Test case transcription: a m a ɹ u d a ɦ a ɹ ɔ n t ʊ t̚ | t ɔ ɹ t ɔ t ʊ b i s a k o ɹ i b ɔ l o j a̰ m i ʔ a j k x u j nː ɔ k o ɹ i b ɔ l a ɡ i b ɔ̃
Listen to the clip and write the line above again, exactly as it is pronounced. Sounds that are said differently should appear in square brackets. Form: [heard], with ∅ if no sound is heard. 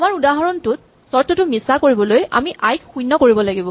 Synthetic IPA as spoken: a m a ɹ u d a ɦ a ɹ ɔ n t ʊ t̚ | [s] ɔ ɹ t ɔ t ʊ [m] i s a k o ɹ i b ɔ l o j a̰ m i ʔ a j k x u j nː ɔ k o ɹ i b ɔ l a ɡ i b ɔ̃